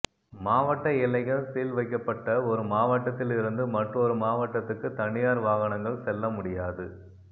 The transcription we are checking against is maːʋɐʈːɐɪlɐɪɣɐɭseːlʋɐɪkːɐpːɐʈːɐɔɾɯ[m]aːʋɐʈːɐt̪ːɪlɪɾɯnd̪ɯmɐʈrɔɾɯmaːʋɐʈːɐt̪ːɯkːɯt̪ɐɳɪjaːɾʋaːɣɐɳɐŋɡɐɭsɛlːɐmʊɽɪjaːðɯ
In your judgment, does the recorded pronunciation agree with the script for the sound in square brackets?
yes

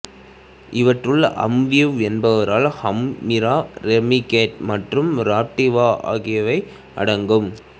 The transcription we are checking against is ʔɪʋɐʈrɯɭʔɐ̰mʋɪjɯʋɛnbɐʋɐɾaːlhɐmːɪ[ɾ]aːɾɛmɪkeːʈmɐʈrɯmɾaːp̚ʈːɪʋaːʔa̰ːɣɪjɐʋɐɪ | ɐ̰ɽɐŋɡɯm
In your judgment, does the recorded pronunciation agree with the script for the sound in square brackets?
yes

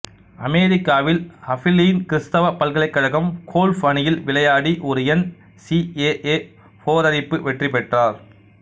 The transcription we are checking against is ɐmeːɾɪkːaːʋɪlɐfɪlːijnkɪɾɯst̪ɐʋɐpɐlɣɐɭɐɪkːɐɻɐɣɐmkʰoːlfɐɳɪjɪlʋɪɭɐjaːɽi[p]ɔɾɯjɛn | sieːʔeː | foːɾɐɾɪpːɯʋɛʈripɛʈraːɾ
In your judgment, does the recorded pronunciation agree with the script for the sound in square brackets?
no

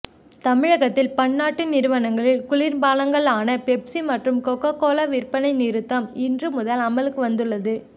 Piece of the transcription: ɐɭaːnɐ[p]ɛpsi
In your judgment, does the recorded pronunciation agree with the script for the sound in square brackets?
yes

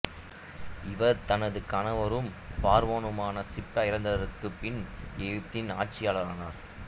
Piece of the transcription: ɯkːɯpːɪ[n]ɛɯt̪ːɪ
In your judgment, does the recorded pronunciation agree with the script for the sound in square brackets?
yes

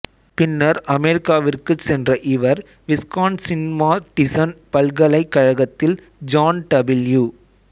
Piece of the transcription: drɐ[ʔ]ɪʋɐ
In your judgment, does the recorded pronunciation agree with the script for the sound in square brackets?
yes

